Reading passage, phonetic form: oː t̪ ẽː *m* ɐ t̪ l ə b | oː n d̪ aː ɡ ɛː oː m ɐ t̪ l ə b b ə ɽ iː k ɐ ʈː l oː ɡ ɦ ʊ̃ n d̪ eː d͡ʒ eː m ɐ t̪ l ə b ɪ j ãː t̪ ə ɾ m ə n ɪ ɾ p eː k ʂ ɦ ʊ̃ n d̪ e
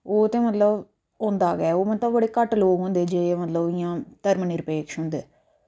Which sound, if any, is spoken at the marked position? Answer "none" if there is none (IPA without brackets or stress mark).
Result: m